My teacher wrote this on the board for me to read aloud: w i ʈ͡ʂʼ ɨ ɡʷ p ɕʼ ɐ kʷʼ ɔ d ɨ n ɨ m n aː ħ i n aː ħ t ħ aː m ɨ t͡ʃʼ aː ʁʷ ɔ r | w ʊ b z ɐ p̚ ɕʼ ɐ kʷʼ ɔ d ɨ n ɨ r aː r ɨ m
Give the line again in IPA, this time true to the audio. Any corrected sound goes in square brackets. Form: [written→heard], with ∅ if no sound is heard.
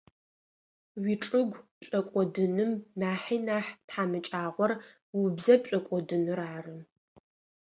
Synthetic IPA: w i ʈ͡ʂʼ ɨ ɡʷ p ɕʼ ɐ kʷʼ ɔ d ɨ n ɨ m n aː ħ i n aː ħ t ħ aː m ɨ t͡ʃʼ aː ʁʷ ɔ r | w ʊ b z ɐ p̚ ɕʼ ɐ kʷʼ ɔ d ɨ n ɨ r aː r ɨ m